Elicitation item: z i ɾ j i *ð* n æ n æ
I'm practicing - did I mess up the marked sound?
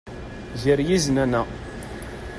yes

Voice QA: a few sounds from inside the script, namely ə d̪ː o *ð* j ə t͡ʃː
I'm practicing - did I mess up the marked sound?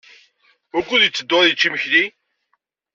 no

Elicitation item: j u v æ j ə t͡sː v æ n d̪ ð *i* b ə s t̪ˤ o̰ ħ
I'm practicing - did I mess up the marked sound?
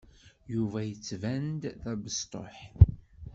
yes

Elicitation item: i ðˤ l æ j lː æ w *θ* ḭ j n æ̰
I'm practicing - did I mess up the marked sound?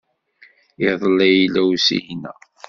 yes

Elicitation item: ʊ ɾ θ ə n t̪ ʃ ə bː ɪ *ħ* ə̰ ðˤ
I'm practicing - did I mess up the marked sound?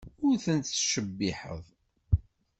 no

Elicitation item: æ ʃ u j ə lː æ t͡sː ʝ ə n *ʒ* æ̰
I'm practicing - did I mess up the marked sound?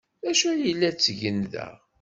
yes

